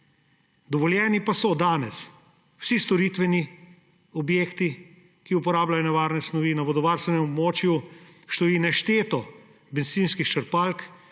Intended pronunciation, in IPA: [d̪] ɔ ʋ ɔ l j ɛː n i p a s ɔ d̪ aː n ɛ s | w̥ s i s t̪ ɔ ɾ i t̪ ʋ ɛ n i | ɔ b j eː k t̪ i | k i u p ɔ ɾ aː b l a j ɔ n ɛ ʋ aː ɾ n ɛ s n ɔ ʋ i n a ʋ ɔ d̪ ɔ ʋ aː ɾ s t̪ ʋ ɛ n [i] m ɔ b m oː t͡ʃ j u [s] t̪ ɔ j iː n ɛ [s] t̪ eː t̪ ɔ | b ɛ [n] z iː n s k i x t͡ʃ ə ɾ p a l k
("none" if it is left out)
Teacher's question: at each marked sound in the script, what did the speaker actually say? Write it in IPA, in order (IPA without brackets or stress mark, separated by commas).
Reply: d̪, ɛ, ʃ, ʃ, n